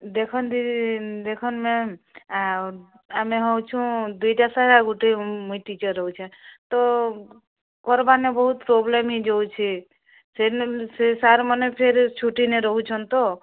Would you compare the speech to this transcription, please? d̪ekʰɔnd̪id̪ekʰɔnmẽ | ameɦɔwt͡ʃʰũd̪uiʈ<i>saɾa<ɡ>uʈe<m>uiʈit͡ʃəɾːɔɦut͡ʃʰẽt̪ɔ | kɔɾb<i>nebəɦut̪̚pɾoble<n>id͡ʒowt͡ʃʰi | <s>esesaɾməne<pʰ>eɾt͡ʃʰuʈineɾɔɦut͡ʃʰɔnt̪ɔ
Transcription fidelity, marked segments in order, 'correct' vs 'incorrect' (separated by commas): incorrect, correct, correct, incorrect, incorrect, correct, correct